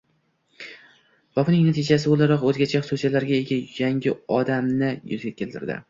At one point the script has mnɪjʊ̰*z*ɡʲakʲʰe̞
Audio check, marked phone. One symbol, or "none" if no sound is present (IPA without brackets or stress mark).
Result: z